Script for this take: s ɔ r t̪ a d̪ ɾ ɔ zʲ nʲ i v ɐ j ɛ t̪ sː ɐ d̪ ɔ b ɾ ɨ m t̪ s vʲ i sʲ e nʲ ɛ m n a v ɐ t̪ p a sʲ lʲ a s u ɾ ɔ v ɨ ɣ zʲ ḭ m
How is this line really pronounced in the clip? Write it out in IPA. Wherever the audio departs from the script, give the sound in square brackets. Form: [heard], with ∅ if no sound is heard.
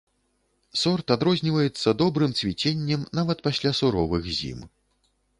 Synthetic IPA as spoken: s ɔ r t̪ a d̪ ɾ ɔ zʲ nʲ i v ɐ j ɛ t̪ sː ɐ d̪ ɔ b ɾ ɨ m t̪ s vʲ i [t͡sʲ] e [nʲː] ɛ m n a v ɐ t̪ p a sʲ lʲ a s u ɾ ɔ v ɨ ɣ zʲ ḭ m